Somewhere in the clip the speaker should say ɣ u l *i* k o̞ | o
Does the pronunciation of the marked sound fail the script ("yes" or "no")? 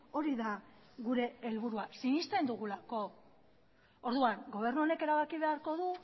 yes